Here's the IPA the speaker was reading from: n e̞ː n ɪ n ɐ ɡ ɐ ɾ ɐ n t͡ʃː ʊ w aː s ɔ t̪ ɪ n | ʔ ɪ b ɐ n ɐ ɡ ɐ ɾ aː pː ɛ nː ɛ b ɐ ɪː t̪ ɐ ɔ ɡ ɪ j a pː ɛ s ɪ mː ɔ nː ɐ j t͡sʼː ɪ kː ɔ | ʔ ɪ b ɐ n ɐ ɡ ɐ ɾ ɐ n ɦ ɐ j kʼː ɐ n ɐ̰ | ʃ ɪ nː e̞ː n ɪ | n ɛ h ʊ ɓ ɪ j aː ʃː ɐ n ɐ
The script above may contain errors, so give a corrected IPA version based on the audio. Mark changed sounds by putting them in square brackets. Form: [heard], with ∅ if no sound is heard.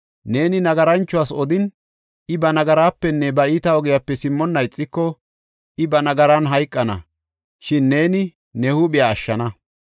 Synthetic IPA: n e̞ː n ɪ n ɐ ɡ ɐ ɾ ɐ n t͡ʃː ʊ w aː s ɔ [d̪] ɪ n | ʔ ɪ b ɐ n ɐ ɡ ɐ ɾ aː pː ɛ nː ɛ b ɐ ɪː t̪ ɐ ɔ ɡ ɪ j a pː ɛ s ɪ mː ɔ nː ɐ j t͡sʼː ɪ kː ɔ | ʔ ɪ b ɐ n ɐ ɡ ɐ ɾ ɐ n ɦ ɐ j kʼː ɐ n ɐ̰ | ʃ ɪ nː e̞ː n ɪ | n ɛ h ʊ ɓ ɪ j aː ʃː ɐ n ɐ